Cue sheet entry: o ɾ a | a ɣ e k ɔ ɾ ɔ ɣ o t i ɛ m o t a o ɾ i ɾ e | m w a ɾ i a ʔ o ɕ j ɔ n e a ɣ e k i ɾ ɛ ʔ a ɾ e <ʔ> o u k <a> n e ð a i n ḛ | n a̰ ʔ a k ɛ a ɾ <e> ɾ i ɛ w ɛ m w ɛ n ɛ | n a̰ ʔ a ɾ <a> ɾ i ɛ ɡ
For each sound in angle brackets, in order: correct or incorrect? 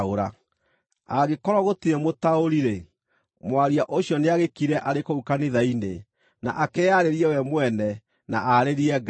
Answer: incorrect: k, correct, correct, incorrect: e

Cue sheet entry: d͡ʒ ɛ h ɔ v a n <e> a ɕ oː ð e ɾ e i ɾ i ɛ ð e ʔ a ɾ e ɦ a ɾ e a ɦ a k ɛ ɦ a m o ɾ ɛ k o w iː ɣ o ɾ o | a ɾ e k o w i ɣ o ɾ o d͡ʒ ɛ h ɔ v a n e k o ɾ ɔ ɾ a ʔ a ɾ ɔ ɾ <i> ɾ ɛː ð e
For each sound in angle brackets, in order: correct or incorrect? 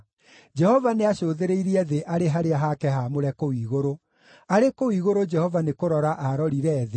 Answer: correct, correct

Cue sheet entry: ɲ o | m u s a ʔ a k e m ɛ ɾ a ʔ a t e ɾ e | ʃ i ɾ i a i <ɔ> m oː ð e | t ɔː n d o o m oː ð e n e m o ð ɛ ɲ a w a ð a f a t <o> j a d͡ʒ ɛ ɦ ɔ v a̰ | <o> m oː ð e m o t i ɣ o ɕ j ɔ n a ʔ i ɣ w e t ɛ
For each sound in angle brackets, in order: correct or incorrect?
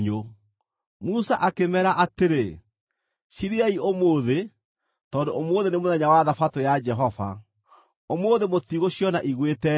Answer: incorrect: o, correct, correct

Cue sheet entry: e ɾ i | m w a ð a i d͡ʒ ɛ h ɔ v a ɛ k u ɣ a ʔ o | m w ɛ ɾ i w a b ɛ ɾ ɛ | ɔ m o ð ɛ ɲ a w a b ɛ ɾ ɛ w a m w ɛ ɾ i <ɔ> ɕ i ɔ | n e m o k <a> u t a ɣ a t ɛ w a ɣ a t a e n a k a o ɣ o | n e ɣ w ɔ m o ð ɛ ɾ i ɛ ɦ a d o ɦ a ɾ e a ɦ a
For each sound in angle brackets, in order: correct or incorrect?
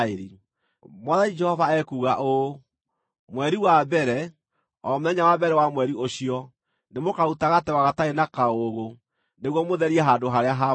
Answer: incorrect: o, correct

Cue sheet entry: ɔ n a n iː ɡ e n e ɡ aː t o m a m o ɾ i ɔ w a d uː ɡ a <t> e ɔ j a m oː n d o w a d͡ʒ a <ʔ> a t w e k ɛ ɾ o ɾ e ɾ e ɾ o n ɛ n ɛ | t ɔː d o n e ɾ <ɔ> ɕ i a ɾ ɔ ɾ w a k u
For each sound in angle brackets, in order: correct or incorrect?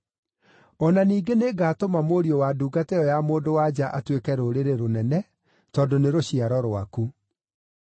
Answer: correct, correct, incorrect: o

